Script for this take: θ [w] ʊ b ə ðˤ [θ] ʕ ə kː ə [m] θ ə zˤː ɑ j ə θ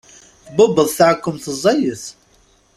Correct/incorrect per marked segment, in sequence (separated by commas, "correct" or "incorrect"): incorrect, correct, correct